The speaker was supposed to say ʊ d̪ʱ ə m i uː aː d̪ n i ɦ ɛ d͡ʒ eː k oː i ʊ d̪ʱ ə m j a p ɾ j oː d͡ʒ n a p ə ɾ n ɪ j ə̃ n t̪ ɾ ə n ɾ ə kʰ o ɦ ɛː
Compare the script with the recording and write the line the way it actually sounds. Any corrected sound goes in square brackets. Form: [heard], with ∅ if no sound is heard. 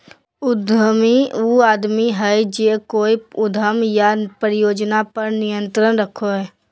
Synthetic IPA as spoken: ʊ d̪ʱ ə m i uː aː d̪ [m] i ɦ ɛ d͡ʒ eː k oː i ʊ d̪ʱ ə m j a p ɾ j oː d͡ʒ n a p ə ɾ n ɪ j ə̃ n t̪ ɾ ə n ɾ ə kʰ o ɦ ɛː